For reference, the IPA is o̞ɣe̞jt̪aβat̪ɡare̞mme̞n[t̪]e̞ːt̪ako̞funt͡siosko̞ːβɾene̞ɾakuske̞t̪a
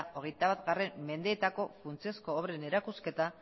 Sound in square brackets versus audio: incorrect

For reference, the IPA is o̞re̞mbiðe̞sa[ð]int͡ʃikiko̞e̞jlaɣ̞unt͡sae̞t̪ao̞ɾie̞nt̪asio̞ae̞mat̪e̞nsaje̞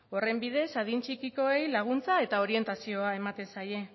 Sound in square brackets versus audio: correct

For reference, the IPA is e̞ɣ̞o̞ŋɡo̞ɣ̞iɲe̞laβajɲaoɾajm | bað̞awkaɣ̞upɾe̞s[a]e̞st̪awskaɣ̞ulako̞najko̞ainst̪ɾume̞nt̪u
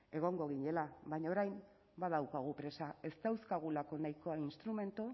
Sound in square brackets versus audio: correct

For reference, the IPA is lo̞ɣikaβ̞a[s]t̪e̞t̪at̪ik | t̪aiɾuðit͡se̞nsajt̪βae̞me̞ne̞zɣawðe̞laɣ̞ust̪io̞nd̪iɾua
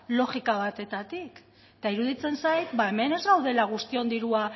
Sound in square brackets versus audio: incorrect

